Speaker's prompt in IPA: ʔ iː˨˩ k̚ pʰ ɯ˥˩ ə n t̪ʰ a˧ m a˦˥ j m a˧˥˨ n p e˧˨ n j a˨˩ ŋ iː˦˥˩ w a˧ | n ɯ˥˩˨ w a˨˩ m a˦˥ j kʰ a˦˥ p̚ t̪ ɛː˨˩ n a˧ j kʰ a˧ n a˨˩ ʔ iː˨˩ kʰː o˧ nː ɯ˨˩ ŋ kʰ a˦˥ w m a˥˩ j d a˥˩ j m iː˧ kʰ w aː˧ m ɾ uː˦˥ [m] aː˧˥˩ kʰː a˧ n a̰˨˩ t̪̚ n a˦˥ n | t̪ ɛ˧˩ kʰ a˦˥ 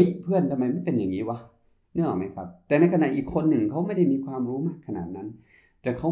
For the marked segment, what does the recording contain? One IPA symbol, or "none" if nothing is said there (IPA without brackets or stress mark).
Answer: m